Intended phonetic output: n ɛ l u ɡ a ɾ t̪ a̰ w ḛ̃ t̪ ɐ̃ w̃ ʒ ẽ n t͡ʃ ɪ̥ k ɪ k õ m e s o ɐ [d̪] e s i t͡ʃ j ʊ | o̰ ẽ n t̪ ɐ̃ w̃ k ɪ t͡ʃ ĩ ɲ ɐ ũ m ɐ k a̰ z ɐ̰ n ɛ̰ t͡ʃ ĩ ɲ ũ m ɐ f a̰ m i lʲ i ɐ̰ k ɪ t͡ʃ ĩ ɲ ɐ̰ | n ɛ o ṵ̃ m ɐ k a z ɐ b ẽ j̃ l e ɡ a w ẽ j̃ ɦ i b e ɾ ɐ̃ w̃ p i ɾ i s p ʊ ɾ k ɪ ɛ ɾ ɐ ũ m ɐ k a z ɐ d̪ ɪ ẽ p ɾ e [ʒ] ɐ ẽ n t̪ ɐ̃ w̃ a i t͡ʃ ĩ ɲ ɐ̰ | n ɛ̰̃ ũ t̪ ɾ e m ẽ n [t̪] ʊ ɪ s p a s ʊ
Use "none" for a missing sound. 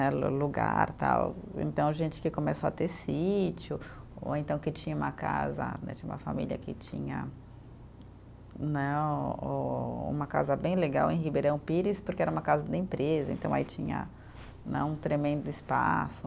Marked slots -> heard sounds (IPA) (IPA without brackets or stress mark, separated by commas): t̪, z, d̪